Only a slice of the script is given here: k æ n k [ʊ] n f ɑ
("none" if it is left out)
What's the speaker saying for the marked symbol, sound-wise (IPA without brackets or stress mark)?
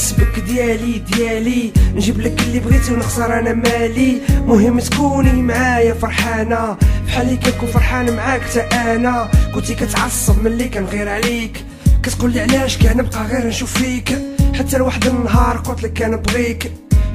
u